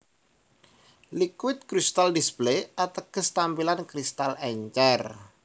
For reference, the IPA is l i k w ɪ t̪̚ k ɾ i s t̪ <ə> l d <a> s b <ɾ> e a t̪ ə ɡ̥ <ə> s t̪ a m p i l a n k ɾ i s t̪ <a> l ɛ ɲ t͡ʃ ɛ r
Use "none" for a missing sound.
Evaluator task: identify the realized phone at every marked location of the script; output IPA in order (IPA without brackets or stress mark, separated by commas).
a, i, l, ə, a